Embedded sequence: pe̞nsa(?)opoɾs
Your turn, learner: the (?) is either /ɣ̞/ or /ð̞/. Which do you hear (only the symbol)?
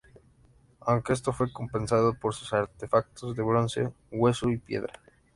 ð̞